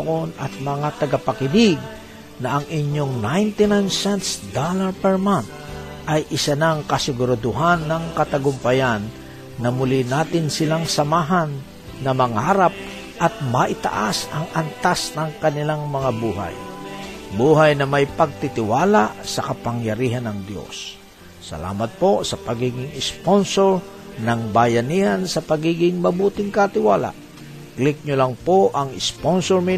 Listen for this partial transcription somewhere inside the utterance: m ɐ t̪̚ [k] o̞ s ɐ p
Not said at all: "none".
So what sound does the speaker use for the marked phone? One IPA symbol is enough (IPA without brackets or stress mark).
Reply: p